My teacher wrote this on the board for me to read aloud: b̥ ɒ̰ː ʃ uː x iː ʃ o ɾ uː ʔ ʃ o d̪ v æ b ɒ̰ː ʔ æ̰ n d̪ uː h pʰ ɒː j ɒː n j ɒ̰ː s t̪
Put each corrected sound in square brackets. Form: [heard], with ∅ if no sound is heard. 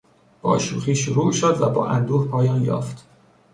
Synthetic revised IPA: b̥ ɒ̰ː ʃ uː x iː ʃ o ɾ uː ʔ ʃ o d̪ v æ b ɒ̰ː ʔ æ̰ n d̪ uː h pʰ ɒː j ɒː n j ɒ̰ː [f] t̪